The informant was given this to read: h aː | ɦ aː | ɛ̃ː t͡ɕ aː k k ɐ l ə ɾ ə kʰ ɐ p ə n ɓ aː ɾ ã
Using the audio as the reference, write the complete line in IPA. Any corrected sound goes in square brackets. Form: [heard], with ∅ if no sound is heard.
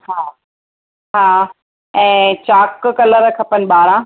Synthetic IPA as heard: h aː | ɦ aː | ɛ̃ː t͡ɕ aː k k ɐ l ə ɾ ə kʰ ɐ p ə n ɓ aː ɾ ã